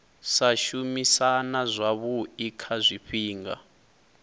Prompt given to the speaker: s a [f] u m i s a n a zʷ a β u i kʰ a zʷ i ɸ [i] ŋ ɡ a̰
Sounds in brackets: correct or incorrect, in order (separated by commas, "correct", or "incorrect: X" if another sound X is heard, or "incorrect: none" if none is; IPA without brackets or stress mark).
incorrect: ʃ, incorrect: iː